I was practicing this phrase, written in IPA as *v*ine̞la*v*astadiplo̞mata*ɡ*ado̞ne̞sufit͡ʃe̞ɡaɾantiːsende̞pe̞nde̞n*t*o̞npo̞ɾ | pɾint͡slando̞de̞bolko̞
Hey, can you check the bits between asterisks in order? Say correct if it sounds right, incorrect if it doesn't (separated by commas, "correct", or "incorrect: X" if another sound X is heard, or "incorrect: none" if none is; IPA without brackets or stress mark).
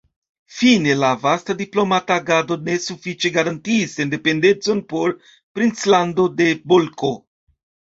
incorrect: f, correct, correct, incorrect: t͡s